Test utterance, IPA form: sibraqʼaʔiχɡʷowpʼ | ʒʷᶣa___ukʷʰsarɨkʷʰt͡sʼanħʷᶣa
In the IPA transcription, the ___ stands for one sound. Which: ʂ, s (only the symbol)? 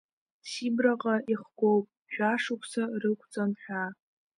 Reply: ʂ